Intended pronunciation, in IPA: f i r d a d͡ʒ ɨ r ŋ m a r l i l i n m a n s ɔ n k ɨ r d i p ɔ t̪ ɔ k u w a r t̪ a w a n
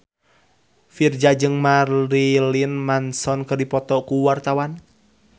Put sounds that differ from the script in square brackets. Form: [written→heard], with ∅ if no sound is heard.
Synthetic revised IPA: f i r [d→d͡ʒ] a d͡ʒ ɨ [r→∅] ŋ m a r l i l i n m a n s ɔ n k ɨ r d i p ɔ t̪ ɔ k u w a r t̪ a w a n